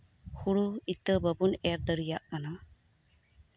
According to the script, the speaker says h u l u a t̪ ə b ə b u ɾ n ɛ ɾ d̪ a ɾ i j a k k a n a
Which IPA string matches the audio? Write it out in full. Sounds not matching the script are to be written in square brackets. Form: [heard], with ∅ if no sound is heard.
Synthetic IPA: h u [ɽ] u [i] t̪ ə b ə b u [∅] n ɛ ɾ d̪ [ə] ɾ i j a [ʔ] k a n a